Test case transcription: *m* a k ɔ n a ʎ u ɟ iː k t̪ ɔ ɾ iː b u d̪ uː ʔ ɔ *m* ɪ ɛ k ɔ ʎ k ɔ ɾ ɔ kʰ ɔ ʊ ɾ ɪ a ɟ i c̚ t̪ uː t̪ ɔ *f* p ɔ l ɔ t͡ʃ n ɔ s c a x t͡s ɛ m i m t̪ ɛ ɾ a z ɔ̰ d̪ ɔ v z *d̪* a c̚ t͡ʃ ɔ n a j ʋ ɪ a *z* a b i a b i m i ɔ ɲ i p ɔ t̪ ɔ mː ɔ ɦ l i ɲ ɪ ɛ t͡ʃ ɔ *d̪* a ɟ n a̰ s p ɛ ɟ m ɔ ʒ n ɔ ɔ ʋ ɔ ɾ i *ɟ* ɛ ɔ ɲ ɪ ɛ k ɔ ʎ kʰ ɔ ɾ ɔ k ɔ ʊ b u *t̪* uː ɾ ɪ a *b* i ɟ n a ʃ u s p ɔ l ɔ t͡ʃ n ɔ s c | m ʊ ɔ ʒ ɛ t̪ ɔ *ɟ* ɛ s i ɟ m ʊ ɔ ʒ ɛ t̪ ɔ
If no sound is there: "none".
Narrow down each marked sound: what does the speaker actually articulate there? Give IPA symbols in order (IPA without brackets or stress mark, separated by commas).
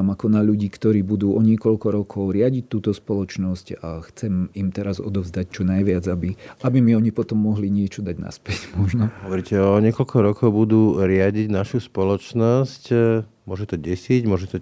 m, ɲ, s, d̪, d͡z, d̪, c, d̪, ɟ, ɟ